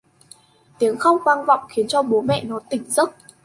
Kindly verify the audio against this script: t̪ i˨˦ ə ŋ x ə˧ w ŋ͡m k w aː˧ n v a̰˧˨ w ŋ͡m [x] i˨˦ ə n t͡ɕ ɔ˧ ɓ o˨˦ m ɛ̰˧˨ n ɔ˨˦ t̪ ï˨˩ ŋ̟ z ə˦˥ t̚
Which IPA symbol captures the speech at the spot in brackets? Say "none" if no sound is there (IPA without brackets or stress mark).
x